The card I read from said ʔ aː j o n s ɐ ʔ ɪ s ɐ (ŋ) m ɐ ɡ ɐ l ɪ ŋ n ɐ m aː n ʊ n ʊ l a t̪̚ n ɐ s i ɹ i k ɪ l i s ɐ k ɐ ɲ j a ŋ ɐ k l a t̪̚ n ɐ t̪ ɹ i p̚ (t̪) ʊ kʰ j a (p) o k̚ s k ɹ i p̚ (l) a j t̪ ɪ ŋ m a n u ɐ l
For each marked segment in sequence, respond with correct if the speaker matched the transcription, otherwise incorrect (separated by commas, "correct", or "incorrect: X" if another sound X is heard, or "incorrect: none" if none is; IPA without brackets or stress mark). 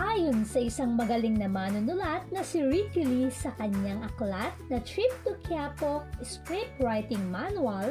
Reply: correct, correct, correct, incorrect: ɹ